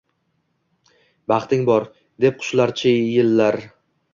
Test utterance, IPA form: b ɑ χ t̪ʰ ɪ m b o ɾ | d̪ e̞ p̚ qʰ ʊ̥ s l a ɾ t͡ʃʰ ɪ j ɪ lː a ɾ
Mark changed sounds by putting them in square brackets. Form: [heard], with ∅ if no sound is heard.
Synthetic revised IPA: b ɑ χ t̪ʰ ɪ [ŋ] b [ɒ] ɾ | d̪ e̞ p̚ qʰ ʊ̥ [ʃ] l a ɾ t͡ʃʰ ɪ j ɪ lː a ɾ

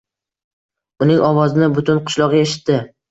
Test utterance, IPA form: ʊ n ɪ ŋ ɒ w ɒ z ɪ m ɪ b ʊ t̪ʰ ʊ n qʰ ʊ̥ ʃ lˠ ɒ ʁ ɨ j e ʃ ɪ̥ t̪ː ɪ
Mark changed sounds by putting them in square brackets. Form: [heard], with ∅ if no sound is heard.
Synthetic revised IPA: ʊ n ɪ ŋ ɒ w ɒ z ɪ [n] ɪ b ʊ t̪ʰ ʊ n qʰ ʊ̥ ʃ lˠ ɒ ʁ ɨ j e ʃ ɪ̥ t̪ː ɪ

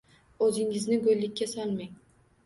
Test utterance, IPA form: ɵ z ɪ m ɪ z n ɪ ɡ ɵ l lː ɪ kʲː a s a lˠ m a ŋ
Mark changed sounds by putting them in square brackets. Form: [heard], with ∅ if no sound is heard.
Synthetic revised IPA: ɵ z ɪ [ŋ] ɪ z n ɪ ɡ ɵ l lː ɪ kʲː a s a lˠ m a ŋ

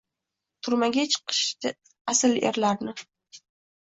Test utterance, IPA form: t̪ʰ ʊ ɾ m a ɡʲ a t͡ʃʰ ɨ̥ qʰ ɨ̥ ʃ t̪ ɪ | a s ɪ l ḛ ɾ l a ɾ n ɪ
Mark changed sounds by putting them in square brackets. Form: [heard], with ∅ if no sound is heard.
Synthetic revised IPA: t̪ʰ ʊ ɾ m a ɡʲ a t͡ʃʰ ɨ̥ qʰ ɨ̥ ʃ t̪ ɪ | a s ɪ l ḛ ɾ l a ɾ n ɪ

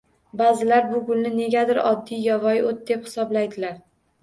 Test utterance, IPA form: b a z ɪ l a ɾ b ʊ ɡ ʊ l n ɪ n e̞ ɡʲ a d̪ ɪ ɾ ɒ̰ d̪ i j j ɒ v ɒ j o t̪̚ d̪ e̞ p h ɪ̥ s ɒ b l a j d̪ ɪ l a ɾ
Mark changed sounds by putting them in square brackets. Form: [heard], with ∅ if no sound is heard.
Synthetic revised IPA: b a z ɪ l a ɾ b ʊ ɡ ʊ l n ɪ n e̞ ɡʲ a d̪ ɪ ɾ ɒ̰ [d̪ː] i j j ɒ v ɒ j o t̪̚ d̪ e̞ p h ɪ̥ s ɒ b l a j d̪ ɪ l a ɾ

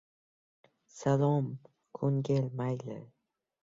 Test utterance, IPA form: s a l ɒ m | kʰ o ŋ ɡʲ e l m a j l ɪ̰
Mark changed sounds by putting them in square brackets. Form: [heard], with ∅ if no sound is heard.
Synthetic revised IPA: s a l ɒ m | kʰ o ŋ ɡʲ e l m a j l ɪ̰

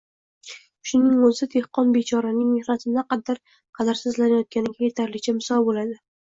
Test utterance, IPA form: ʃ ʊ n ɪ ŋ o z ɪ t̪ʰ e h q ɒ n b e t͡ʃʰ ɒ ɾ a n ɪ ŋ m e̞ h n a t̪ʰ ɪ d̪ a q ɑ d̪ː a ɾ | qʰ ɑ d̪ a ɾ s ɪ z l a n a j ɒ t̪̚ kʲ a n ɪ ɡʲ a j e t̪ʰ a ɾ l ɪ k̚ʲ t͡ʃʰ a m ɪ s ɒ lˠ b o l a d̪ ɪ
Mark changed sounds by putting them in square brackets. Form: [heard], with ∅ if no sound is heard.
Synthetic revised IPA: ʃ ʊ n ɪ ŋ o z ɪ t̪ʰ e h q ɒ n b e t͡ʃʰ ɒ ɾ a n ɪ ŋ m e̞ h n a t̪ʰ ɪ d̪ a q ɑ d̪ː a ɾ | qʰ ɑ d̪ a ɾ s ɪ z l a n a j ɒ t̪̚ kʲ a n ɪ ɡʲ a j e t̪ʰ a ɾ l ɪ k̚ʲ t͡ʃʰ a m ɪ s ɒ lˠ b o l a d̪ ɪ

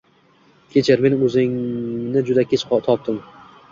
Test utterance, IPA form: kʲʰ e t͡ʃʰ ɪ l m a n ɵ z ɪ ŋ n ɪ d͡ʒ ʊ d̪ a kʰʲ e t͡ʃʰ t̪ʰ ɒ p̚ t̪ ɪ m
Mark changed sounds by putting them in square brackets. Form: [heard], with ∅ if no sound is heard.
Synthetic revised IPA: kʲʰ e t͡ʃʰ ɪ [ɾ] m [e] n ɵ z ɪ ŋ n ɪ d͡ʒ ʊ d̪ a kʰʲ e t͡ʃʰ t̪ʰ ɒ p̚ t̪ ɪ m

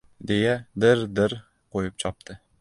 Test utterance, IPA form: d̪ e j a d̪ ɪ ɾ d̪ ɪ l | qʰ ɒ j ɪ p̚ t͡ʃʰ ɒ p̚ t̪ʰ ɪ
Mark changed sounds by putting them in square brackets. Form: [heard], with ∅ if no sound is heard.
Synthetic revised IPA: d̪ e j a d̪ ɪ ɾ d̪ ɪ [ɾ] | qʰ [o] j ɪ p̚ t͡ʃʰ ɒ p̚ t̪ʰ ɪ

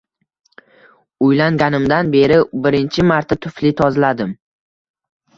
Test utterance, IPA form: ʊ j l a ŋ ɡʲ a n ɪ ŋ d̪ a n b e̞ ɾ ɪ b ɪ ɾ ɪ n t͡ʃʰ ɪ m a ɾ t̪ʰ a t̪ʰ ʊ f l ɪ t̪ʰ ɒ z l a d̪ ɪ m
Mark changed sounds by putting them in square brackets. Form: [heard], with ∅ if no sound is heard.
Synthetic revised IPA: ʊ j l a ŋ ɡʲ a n ɪ [m] d̪ a n b e̞ ɾ ɪ b ɪ ɾ ɪ n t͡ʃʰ ɪ m a ɾ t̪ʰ a t̪ʰ ʊ f l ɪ t̪ʰ ɒ z l a d̪ ɪ m

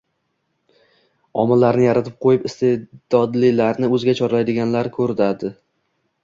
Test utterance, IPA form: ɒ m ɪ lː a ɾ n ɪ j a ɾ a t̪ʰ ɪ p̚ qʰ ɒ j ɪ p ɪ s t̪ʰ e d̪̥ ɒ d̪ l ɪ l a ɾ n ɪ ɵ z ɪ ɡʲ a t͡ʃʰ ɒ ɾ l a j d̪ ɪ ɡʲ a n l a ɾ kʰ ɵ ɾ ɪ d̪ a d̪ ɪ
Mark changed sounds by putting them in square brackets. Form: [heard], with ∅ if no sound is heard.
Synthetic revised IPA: ɒ m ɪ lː a ɾ n ɪ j a ɾ a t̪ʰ ɪ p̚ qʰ [o] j ɪ p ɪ s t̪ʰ e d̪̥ ɒ d̪ l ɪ l a ɾ n ɪ ɵ z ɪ ɡʲ a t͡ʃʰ ɒ ɾ l a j d̪ ɪ ɡʲ a n l a ɾ kʰ ɵ ɾ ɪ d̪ a d̪ ɪ

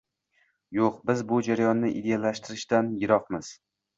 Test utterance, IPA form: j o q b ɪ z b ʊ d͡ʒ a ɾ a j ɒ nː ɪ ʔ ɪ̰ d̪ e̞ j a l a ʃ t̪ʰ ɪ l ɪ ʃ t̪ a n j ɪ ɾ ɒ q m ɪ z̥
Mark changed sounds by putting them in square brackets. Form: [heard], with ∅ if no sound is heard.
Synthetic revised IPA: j o q b ɪ z b ʊ d͡ʒ a ɾ a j ɒ nː ɪ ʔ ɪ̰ d̪ e̞ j a l a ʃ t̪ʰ ɪ [ɾ] ɪ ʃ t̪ a n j ɪ ɾ ɒ q m ɪ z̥

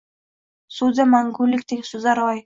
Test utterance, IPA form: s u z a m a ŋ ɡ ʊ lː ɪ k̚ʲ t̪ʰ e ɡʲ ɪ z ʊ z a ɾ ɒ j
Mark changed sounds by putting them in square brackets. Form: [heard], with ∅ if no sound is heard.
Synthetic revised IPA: s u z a m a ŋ ɡ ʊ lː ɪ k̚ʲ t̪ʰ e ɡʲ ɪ [s] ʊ z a ɾ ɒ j

